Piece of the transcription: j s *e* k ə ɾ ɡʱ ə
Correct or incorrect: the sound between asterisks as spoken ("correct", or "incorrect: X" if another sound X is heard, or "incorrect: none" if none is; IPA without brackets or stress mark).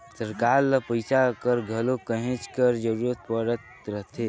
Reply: incorrect: a